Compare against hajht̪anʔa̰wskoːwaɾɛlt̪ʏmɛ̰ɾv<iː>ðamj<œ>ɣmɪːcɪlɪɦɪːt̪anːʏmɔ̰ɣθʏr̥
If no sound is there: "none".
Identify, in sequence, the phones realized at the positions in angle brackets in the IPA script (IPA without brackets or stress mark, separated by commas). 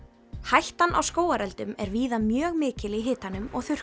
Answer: iː, œː